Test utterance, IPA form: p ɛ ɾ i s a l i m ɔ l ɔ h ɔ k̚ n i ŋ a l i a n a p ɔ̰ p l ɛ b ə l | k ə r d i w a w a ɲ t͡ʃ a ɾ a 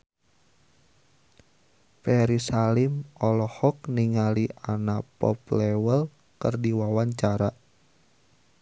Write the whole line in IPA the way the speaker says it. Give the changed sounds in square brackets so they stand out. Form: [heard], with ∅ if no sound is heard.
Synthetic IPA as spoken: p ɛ ɾ i s a l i m ɔ l ɔ h ɔ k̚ n i ŋ a l i a n a p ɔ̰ p l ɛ [w] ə l | k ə r d i w a w a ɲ t͡ʃ a ɾ a